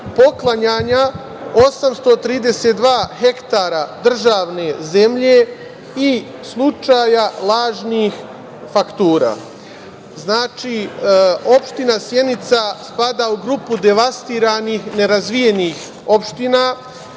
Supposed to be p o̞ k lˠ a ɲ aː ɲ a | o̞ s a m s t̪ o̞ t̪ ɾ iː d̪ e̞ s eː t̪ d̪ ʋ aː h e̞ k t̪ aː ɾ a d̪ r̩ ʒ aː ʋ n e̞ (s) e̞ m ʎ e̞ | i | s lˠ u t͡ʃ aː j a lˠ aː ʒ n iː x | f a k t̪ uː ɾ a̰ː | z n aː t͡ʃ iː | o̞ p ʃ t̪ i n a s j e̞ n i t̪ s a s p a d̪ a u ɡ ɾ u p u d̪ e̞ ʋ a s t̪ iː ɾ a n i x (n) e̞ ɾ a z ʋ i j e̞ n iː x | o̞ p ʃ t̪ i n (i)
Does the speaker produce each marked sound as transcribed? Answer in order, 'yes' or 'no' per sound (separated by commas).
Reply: no, yes, no